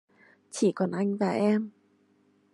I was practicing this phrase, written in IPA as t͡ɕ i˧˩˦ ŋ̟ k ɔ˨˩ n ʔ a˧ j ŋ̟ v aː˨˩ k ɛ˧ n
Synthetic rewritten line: t͡ɕ i˧˩˦ k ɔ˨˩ n ʔ a˧ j ŋ̟ v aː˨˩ ʔ ɛ˧ m